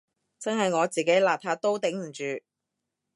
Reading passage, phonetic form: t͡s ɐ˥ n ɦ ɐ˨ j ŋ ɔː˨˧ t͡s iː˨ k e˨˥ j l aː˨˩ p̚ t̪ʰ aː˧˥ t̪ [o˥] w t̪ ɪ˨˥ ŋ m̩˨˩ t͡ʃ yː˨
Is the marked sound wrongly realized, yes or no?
no